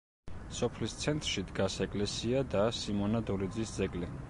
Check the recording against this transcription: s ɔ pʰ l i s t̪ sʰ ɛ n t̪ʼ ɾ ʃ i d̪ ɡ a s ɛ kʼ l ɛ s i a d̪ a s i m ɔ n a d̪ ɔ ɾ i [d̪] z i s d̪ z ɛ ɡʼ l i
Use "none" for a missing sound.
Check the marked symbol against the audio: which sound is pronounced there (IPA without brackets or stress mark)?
d̪